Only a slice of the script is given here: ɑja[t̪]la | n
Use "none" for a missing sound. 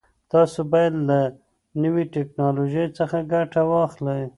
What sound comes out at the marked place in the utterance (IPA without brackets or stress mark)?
d̪